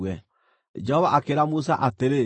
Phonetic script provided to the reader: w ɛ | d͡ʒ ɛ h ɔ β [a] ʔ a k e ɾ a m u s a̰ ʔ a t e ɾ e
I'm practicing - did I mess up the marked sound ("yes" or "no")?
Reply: no